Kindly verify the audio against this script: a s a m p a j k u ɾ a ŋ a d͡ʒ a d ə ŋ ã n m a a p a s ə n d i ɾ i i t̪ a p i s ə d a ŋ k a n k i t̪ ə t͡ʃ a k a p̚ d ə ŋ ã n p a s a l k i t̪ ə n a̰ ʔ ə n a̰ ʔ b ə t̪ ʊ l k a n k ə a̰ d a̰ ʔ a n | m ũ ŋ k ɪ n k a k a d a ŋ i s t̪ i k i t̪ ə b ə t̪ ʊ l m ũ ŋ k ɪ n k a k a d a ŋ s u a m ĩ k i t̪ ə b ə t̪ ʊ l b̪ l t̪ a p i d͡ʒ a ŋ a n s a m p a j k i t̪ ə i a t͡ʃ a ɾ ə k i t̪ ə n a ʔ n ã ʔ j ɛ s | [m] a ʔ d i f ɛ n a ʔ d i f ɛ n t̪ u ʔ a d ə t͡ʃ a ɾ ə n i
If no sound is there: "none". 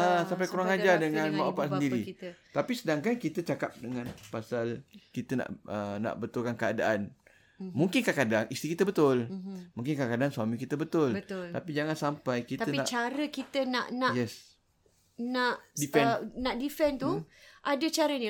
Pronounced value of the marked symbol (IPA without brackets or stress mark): n